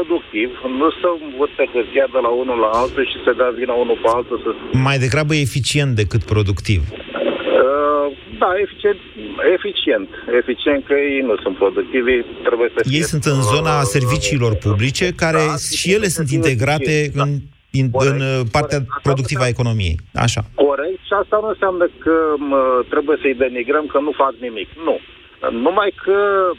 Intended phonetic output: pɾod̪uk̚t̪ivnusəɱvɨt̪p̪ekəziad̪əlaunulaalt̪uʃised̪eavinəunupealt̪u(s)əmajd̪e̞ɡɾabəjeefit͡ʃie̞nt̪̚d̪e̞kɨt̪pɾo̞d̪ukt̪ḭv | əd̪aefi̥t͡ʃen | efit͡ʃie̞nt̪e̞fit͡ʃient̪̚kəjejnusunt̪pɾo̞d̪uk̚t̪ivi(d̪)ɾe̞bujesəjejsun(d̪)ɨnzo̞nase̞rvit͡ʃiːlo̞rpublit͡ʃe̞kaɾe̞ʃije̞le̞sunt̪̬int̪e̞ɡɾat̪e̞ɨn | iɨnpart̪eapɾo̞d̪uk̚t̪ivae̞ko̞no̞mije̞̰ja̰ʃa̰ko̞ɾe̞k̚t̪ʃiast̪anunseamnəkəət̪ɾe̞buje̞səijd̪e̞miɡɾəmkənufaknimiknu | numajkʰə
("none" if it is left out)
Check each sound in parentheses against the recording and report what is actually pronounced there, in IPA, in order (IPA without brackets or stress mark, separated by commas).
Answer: s, t̪, t̪